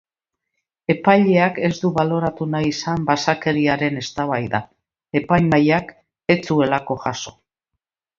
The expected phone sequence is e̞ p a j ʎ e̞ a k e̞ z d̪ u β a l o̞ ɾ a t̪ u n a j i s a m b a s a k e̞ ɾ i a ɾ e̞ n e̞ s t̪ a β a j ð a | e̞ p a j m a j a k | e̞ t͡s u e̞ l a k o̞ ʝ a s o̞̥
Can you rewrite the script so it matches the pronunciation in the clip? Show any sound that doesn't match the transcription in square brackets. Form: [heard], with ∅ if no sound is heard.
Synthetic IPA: e̞ p a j ʎ e̞ a k e̞ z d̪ u β a l o̞ ɾ a t̪ u n a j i s a m b a s a k e̞ ɾ i a ɾ e̞ n e̞ s t̪ a β a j ð a | e̞ p a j m a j a k | e̞ t͡s u e̞ l a k o̞ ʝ a s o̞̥